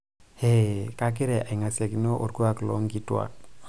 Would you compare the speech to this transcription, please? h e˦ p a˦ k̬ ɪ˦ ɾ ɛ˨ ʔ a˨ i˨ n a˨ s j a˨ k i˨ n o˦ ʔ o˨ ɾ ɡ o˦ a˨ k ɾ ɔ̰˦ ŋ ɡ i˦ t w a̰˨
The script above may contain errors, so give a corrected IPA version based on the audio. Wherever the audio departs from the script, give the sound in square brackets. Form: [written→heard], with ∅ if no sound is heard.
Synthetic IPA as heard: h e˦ [p→k] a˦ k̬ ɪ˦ ɾ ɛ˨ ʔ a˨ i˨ [n→ŋ] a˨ s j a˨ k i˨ n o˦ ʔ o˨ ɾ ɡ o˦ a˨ k [ɾ→l] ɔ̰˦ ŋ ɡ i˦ t w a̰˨